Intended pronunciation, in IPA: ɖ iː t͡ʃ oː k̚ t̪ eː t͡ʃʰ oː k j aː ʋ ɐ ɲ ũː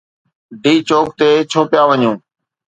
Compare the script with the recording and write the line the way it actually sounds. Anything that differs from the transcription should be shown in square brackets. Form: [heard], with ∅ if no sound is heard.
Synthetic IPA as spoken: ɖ iː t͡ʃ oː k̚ t̪ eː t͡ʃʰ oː [p] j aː ʋ [ə] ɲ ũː